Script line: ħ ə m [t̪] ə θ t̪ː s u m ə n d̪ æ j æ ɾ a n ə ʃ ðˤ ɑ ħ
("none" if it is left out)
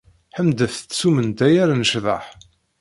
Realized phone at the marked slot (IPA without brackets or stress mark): d̪